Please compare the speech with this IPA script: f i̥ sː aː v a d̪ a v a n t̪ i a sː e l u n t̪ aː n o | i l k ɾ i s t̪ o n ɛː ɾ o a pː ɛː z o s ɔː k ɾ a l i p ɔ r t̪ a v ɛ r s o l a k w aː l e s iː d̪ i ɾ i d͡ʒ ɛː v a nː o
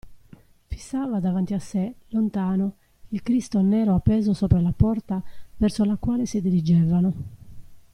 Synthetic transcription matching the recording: f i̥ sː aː v a d̪ a v a n t̪ i a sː e l o n t̪ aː n o | i l k ɾ i s t̪ o n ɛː ɾ o a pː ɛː z o s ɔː p ɾ a l a p ɔ r t̪ a v ɛ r s o l a k w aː l e s i d̪ i ɾ i d͡ʒ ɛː v a n o